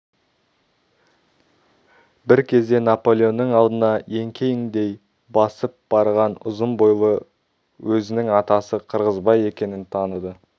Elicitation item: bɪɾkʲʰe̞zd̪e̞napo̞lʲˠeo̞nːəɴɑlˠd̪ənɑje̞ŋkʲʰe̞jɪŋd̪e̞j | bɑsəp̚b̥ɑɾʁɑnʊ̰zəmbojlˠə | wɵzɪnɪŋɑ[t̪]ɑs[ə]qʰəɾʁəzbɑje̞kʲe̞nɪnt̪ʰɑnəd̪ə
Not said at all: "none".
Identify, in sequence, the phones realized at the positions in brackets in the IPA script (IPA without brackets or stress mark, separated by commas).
t̪, ə